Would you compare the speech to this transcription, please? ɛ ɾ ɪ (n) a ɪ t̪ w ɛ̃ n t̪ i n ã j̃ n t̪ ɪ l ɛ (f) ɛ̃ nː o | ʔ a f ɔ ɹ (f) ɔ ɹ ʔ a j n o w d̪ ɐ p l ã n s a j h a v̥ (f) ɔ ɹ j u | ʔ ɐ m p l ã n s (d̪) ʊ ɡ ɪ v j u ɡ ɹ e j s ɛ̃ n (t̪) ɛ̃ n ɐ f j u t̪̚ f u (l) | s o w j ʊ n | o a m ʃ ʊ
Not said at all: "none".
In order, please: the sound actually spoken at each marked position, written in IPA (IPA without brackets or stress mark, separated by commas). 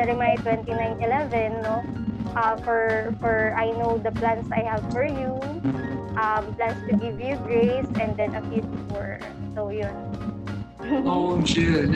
m, v, f, f, t̪, d̪, ɹ